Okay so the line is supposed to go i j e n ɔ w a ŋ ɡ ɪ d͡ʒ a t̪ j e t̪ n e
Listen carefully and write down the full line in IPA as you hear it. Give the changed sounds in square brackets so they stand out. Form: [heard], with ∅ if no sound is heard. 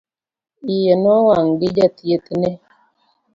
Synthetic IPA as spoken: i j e n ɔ w a ŋ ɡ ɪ d͡ʒ a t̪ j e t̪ n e